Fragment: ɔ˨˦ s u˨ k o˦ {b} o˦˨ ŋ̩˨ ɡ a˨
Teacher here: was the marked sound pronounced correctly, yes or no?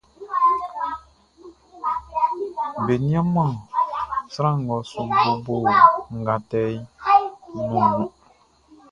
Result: yes